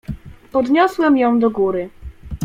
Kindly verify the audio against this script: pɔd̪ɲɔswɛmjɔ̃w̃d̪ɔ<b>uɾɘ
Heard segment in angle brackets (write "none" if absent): ɡ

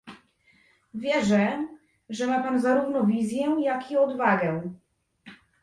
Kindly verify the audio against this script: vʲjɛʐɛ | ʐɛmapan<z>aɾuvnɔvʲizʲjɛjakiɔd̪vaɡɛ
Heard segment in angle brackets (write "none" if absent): z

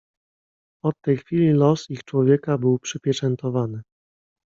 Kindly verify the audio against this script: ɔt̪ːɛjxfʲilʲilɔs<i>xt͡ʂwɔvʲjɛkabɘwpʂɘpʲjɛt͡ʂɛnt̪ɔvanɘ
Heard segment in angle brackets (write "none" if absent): i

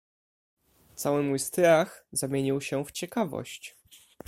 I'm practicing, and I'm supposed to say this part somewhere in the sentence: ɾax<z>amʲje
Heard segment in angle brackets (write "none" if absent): z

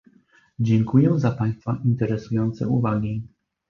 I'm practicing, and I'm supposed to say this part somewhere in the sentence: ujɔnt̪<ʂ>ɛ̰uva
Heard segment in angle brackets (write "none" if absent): s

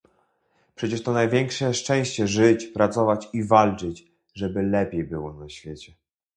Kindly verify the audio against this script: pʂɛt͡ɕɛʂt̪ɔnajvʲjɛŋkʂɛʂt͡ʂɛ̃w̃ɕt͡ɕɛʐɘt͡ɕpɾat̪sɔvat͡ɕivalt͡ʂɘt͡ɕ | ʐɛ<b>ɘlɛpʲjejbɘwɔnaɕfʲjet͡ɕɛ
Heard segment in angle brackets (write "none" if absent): b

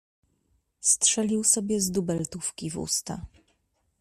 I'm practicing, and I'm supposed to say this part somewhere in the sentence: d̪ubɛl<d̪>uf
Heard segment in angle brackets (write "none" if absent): t̪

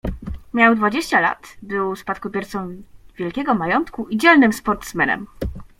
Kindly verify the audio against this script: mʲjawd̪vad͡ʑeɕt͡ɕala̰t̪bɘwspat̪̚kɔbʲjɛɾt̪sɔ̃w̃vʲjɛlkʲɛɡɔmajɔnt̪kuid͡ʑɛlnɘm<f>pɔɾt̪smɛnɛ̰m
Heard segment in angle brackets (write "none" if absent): s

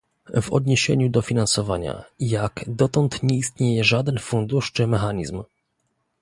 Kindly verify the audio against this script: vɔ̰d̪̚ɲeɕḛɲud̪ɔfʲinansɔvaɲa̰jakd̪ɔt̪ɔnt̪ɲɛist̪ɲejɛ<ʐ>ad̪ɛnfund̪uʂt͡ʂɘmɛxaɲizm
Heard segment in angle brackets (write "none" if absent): ʐ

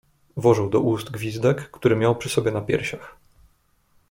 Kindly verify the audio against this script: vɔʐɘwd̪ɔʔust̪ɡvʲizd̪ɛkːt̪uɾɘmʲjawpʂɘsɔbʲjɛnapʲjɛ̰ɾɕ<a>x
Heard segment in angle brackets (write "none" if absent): a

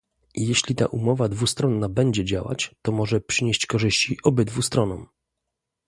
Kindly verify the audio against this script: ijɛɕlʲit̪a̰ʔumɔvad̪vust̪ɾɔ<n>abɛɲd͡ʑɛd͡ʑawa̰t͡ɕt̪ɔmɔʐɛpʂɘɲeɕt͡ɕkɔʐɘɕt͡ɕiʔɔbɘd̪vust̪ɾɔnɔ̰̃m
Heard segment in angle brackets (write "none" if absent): nː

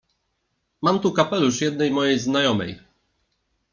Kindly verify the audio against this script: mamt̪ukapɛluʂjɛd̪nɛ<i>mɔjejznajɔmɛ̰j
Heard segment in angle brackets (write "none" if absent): j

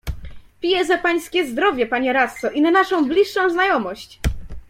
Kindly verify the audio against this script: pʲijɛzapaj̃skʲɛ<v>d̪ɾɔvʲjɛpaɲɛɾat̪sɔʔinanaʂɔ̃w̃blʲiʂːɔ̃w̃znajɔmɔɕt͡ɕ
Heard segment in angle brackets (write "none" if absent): z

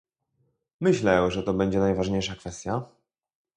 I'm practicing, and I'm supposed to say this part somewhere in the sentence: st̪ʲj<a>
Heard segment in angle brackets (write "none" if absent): a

